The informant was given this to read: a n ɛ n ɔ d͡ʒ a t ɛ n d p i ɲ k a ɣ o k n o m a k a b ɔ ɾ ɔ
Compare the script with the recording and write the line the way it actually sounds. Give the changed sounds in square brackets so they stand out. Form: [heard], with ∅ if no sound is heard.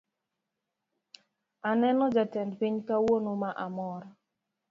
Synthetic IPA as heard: a n ɛ n ɔ d͡ʒ a t ɛ n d p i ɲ k a [w] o [∅] n o m a [ʔ] a [m] ɔ ɾ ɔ